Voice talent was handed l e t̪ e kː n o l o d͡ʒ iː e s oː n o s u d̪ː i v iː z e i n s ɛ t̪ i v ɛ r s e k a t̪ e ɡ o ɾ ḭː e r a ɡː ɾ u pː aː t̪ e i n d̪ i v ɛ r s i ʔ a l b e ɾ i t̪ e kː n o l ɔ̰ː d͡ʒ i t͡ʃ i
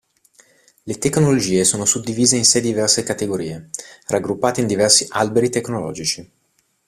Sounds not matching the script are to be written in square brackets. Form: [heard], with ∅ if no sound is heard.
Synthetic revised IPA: l e t̪ e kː n o l o d͡ʒ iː e s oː n o s u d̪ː i v iː z e i n s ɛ [d̪] i v ɛ r s e k a t̪ e ɡ o ɾ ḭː e r a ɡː ɾ u pː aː t̪ e i n d̪ i v ɛ r s i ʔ a l b e ɾ i t̪ e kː n o l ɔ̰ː d͡ʒ i t͡ʃ i